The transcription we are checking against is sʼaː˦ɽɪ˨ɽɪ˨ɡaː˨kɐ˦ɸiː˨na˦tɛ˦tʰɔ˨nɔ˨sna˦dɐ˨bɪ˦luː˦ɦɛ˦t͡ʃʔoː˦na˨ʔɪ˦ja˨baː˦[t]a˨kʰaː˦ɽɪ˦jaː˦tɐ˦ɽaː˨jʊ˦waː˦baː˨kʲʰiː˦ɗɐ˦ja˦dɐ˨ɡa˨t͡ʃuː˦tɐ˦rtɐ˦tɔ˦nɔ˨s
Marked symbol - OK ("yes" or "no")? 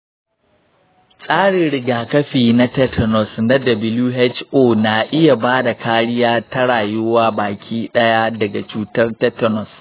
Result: no